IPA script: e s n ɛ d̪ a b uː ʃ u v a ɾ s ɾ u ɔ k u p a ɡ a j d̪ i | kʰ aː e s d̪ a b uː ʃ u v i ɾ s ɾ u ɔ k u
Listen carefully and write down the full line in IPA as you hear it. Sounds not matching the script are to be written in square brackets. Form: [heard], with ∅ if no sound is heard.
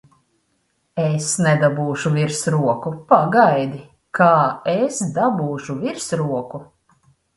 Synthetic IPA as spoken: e s n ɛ d̪ a b uː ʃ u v [i] ɾ s ɾ u ɔ k u p a ɡ a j d̪ i | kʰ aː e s d̪ a b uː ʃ u v i ɾ s ɾ u ɔ k u